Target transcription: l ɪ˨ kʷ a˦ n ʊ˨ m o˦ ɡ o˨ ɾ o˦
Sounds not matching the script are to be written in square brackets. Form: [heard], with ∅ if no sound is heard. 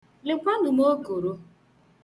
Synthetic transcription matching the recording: l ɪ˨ kʷ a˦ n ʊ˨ m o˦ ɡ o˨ ɾ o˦